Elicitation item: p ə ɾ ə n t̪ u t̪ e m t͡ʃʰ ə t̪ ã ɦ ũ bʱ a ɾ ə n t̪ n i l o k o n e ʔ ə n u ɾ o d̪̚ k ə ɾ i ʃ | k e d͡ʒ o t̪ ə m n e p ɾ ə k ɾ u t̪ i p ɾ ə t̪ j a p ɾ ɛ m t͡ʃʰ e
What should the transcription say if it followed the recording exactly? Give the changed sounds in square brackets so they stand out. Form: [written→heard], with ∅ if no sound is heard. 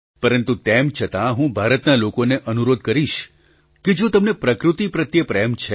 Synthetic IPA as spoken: p ə ɾ ə n t̪ u t̪ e m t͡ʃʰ ə t̪ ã ɦ ũ bʱ a ɾ ə [n→∅] t̪ n [i→a] l o k o n e ʔ ə n u ɾ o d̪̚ k ə ɾ i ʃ | k e d͡ʒ o t̪ ə m n e p ɾ ə k ɾ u t̪ i p ɾ ə t̪ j [a→ə] p ɾ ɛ m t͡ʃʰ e